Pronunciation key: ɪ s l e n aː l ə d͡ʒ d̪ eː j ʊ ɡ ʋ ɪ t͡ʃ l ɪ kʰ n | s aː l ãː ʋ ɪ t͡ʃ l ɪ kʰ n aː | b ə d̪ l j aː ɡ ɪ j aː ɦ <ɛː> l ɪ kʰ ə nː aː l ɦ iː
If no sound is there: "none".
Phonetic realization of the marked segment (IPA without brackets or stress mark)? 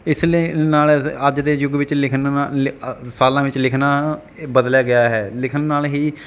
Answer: ɛː